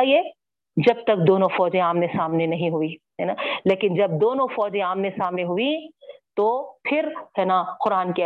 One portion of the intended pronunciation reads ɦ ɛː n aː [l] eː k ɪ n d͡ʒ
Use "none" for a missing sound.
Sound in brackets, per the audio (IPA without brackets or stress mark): l